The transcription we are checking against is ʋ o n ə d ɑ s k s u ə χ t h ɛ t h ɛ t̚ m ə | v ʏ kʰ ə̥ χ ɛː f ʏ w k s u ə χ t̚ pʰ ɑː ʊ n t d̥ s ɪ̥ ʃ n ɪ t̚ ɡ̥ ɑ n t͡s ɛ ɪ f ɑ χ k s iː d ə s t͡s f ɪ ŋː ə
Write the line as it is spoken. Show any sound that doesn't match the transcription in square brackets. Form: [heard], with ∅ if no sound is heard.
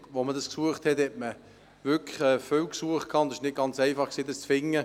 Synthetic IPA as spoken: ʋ o [m] ə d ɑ s k s u ə χ t h ɛ t h ɛ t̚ m ə | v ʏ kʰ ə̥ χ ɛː f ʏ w k s u ə χ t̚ [kʰ] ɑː ʊ n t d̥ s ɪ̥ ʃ n ɪ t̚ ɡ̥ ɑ n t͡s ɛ ɪ f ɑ χ k s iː d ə s t͡s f ɪ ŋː ə